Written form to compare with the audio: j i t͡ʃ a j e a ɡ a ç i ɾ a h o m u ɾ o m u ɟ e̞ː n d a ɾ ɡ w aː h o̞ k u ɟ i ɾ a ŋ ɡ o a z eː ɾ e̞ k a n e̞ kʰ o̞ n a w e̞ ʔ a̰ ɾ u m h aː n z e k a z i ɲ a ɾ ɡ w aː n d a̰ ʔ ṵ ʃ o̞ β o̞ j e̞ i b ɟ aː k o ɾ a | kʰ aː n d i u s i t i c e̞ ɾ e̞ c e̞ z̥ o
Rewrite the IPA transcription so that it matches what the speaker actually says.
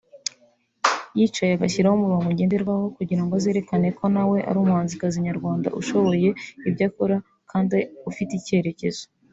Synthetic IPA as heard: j i t͡ʃ a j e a ɡ a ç i ɾ a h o m u ɾ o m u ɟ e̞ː n d e ɾ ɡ w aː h o̞ k u ɟ i ɾ a ŋ ɡ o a z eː ɾ e̞ k a n e̞ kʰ o̞ n a w e̞ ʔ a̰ ɾ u m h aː n z i k a z i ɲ a ɾ ɡ w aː n d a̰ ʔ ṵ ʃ o̞ β o̞ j e̞ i b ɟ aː k o ɾ a | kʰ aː n d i u f i t i c e̞ ɾ e̞ c e̞ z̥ o